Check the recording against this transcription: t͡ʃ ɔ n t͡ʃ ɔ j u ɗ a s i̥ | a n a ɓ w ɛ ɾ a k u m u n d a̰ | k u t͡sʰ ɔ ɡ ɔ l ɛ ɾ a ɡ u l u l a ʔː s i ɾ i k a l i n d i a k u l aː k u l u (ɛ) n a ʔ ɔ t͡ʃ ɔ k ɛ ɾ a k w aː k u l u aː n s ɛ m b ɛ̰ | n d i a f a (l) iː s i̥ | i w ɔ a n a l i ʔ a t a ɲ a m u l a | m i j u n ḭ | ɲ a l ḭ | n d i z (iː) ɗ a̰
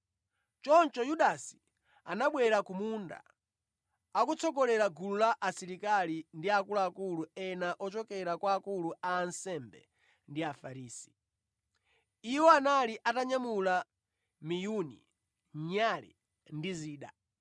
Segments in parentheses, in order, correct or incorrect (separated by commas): correct, incorrect, correct